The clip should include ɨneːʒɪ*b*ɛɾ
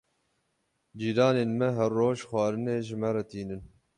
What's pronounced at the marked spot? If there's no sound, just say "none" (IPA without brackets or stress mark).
m